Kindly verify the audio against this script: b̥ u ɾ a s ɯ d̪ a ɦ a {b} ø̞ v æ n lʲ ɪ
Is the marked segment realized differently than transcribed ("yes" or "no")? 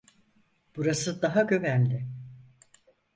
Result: yes